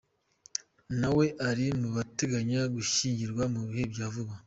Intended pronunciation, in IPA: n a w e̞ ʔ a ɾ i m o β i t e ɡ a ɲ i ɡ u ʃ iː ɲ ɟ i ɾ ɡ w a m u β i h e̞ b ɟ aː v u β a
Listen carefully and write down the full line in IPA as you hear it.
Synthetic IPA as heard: n a w e̞ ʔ a ɾ i m u β a t e ɡ a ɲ a ɡ u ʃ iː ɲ ɟ i ɾ ɡ w a m u β i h e̞ b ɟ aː v u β a